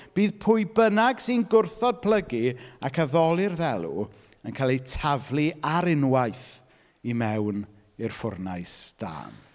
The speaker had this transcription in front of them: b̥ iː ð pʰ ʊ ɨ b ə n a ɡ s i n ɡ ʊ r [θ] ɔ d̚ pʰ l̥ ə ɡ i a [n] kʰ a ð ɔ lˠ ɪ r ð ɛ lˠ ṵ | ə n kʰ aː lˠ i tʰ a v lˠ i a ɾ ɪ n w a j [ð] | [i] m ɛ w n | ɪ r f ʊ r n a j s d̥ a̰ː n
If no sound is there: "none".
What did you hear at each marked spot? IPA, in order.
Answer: θ, none, θ, i

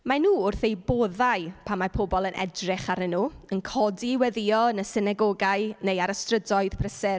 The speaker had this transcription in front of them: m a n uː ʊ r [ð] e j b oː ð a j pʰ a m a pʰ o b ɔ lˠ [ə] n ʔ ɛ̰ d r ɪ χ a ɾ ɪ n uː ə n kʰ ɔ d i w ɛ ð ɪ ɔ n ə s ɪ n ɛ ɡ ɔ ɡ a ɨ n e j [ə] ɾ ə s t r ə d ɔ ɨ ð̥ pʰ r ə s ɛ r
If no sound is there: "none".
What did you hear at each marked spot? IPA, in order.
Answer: θ, ə, a

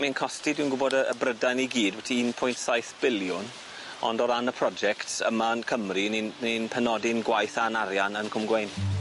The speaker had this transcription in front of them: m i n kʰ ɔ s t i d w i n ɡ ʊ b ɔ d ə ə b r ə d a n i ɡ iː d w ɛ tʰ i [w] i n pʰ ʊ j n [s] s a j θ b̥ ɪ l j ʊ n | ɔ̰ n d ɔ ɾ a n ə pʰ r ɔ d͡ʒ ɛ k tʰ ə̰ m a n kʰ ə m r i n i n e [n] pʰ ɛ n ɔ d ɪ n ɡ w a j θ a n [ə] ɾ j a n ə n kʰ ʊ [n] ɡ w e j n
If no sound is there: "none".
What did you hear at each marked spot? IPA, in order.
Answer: none, t, n, a, m

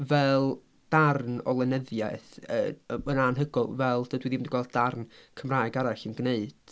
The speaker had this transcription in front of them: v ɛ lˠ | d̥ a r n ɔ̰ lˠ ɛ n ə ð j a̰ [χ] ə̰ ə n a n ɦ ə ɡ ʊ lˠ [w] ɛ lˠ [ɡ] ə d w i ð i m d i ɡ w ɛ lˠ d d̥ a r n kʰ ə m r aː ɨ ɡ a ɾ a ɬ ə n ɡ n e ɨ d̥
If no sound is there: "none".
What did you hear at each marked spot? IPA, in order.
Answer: θ, v, d

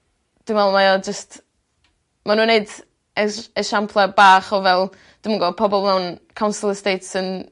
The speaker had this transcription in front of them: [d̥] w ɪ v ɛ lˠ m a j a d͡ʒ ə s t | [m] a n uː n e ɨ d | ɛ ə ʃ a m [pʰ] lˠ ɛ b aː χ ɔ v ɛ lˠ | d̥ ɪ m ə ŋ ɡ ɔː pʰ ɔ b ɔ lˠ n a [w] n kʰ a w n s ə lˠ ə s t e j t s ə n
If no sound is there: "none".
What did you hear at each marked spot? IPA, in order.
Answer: d̥, m, pʰ, w

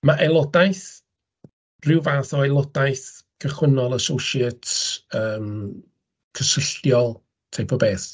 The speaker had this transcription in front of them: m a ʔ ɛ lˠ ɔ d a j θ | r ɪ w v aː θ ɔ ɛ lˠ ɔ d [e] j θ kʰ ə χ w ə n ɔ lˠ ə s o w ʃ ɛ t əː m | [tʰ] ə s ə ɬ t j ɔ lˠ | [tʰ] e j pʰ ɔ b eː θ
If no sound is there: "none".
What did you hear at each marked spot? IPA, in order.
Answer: a, kʰ, tʰ

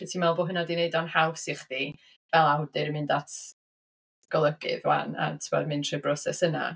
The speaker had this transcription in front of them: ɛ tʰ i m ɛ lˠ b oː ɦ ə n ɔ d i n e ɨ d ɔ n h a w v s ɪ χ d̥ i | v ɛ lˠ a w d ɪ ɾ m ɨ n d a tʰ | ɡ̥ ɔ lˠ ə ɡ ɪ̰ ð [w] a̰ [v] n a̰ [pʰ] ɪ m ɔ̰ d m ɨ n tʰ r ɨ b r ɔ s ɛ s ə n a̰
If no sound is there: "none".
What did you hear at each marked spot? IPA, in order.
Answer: w, none, tʰ

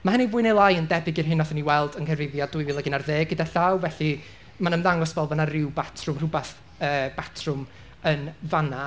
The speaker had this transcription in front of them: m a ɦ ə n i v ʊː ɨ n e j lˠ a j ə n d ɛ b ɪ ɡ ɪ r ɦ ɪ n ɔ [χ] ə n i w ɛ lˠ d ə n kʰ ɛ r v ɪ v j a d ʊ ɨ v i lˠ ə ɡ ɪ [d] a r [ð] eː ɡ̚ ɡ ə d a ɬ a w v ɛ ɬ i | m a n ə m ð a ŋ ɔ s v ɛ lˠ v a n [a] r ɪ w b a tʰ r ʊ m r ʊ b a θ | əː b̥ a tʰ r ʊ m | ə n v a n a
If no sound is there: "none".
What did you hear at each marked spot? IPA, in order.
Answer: θ, n, ð, a

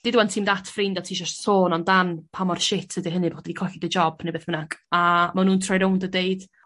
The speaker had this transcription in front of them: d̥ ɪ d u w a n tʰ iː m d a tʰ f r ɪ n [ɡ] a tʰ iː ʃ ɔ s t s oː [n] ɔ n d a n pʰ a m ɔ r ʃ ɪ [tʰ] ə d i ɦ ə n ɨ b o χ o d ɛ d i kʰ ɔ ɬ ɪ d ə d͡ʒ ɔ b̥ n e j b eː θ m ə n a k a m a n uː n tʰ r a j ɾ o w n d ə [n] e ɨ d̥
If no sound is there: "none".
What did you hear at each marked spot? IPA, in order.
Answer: d, n, tʰ, d

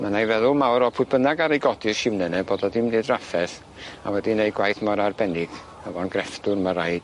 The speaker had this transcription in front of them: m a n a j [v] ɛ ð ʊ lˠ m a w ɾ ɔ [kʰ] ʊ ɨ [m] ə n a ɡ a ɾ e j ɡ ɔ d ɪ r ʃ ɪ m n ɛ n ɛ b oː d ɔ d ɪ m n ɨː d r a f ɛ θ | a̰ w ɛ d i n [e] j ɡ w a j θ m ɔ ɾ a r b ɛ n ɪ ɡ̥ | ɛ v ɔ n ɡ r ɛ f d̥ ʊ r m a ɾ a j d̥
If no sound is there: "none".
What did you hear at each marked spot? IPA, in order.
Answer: v, pʰ, b, e

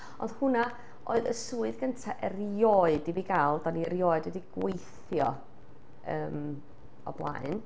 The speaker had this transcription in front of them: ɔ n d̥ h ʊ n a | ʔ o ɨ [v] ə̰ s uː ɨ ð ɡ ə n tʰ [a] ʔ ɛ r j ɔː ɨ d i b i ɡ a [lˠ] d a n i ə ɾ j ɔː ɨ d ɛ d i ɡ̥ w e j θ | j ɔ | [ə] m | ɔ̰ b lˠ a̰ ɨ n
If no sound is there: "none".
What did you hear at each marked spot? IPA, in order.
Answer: ð, a, lˠ, əː

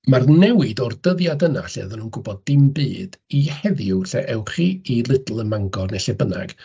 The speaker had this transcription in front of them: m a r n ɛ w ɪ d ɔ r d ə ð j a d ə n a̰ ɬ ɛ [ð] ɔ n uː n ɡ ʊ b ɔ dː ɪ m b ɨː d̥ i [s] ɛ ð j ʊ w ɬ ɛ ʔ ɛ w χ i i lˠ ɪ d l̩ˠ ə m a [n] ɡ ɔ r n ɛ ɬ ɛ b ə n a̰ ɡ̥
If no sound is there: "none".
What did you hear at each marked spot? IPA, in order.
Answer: ð, h, ŋ

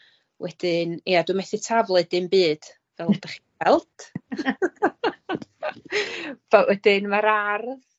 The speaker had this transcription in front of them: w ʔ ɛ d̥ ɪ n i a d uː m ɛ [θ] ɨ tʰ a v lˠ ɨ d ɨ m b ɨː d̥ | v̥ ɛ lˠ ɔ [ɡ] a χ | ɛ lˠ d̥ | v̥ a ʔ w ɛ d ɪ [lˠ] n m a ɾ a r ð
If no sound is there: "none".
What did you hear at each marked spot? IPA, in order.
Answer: θ, d, none

